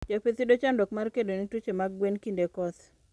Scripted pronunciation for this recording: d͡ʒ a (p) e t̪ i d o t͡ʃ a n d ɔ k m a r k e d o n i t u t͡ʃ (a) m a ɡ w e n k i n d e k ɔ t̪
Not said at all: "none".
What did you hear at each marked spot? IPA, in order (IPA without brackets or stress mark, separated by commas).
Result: p, e